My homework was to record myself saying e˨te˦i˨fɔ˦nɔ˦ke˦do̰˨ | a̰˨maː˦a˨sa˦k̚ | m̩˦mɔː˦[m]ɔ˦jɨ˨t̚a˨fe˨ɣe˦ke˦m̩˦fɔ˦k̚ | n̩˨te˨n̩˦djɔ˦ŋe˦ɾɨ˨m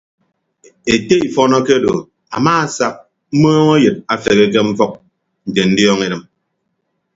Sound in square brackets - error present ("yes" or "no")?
yes